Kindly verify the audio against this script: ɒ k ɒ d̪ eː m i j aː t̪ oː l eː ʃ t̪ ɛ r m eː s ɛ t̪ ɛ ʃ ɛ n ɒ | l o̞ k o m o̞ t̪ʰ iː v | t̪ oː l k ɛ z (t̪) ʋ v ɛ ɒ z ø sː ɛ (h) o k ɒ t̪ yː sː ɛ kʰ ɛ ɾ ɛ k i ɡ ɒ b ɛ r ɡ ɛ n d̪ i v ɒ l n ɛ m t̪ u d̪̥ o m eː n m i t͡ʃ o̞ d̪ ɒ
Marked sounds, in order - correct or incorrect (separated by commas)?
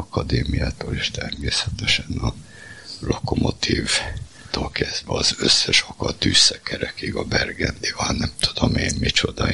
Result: incorrect, incorrect